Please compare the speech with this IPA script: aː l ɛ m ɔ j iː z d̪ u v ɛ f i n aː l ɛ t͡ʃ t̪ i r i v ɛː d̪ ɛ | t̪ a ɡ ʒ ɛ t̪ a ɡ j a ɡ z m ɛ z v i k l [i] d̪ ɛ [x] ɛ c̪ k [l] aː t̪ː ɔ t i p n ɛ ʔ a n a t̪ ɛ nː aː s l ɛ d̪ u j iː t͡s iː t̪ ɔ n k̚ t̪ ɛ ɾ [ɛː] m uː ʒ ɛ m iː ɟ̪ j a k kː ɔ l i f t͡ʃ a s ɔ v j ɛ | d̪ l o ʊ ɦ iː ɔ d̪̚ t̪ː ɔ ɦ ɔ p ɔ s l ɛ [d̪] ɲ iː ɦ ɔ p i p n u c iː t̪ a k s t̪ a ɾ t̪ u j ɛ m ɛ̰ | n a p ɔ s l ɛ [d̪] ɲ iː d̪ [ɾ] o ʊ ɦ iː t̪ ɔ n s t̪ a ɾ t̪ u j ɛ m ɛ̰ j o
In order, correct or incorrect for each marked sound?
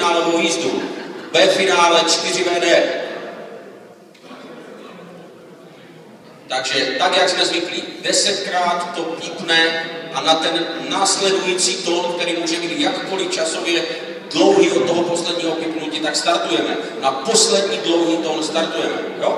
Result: correct, incorrect, incorrect, incorrect, correct, correct, incorrect

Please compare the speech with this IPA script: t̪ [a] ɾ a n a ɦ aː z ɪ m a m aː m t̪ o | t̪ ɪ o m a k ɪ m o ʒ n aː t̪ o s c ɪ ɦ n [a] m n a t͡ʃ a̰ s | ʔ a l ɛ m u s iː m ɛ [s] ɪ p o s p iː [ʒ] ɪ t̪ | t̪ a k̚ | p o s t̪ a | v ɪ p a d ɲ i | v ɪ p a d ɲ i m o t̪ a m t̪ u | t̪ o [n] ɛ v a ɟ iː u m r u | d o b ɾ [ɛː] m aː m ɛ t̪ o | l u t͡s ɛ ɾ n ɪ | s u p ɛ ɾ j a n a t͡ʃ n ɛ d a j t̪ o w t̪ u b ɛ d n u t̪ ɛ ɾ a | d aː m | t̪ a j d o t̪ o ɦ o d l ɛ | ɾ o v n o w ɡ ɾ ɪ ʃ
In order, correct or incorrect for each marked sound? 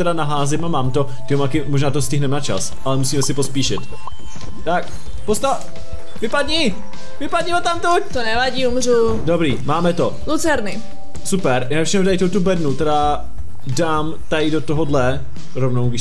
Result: incorrect, incorrect, correct, incorrect, correct, incorrect

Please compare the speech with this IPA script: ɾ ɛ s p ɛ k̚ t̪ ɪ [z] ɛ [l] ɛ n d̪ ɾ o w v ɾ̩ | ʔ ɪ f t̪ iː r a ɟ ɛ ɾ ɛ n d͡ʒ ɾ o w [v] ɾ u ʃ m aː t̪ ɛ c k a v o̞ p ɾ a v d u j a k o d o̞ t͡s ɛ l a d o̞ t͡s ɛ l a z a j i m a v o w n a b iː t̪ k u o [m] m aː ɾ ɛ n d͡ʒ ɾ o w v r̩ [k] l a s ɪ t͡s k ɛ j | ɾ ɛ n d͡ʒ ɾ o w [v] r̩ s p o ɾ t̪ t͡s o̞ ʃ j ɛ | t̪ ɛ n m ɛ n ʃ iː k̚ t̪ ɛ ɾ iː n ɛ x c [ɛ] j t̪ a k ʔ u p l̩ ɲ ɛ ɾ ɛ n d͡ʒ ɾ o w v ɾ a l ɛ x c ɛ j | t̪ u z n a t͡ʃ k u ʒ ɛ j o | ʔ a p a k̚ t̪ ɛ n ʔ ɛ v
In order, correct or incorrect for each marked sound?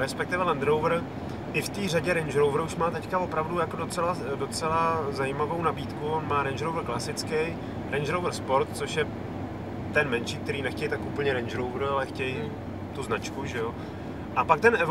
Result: incorrect, correct, correct, incorrect, correct, correct, correct

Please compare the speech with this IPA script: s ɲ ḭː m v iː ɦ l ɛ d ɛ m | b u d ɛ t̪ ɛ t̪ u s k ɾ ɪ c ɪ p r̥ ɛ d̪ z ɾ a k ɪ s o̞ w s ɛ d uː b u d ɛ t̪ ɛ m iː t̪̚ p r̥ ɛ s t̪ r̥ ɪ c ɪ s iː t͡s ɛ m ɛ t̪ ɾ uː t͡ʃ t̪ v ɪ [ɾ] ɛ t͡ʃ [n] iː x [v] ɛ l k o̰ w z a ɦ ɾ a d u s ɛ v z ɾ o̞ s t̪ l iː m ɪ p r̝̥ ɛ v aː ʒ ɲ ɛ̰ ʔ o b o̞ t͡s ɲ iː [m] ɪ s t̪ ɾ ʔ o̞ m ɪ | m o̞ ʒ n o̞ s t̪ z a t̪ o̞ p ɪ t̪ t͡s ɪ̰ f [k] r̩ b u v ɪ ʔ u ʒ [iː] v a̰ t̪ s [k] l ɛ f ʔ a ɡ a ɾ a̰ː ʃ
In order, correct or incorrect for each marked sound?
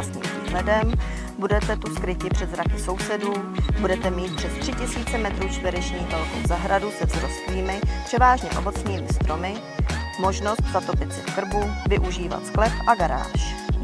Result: correct, incorrect, correct, correct, correct, correct, correct

